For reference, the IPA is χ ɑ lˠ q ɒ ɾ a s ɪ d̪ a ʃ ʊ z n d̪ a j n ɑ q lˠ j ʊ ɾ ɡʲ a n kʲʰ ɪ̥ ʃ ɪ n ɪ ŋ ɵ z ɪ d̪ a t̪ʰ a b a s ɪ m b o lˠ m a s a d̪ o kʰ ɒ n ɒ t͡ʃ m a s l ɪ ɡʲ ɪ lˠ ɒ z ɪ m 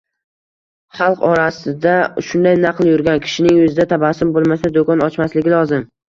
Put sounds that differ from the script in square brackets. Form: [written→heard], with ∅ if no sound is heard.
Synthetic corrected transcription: χ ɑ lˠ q ɒ ɾ a s ɪ d̪ a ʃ ʊ [z→∅] n d̪ a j n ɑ q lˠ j ʊ ɾ ɡʲ a n kʲʰ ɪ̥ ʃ ɪ n ɪ ŋ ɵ z ɪ d̪ a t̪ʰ a b a s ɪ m b o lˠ m a s a d̪ o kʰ ɒ n ɒ t͡ʃ m a s l ɪ ɡʲ ɪ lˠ ɒ z ɪ m